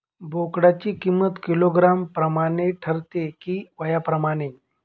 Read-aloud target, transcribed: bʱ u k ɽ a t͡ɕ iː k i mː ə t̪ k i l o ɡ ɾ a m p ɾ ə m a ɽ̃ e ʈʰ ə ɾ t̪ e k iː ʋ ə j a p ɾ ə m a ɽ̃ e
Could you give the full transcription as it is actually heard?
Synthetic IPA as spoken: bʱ o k ɽ a t͡ɕ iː k i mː ə t̪ k i l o ɡ ɾ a m p ɾ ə m a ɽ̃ e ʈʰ ə ɾ t̪ e k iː ʋ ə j a p ɾ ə m a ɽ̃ e